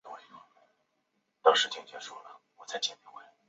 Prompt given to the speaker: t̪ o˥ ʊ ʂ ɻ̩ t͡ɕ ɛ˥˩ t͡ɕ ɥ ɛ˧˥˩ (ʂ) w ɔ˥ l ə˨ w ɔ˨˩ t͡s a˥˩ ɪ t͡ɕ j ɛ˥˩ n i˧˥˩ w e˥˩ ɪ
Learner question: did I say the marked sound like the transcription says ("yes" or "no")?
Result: yes